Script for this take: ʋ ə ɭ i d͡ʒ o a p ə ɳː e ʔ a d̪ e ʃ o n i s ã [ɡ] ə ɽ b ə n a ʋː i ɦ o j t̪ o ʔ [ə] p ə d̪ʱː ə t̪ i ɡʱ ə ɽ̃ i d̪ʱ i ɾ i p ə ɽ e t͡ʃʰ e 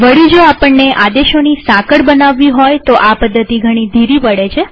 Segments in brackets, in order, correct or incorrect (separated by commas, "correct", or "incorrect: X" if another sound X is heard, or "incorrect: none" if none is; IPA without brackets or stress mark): incorrect: k, incorrect: a